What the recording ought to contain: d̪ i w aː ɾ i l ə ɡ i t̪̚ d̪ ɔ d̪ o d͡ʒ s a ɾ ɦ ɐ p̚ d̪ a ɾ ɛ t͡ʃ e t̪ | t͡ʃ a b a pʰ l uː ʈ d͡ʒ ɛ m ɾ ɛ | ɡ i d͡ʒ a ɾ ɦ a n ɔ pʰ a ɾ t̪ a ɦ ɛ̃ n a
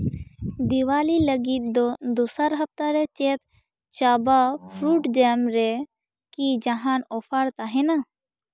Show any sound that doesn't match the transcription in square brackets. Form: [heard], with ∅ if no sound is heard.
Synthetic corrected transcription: d̪ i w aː [l] i l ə ɡ i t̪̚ d̪ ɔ d̪ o [∅] s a ɾ ɦ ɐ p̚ [t̪] a ɾ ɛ t͡ʃ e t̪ | t͡ʃ a b a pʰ [ɾ] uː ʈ d͡ʒ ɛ m ɾ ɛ | [k] i d͡ʒ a [∅] ɦ a n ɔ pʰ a ɾ t̪ a ɦ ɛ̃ n a